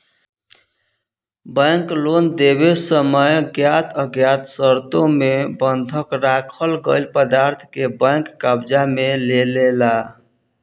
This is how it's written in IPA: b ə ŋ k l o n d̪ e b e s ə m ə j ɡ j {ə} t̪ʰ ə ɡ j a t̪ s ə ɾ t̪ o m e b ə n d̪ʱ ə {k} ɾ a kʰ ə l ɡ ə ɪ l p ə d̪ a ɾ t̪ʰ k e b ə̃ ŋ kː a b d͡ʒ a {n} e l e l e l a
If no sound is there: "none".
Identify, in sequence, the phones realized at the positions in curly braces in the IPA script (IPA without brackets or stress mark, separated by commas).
a, k, m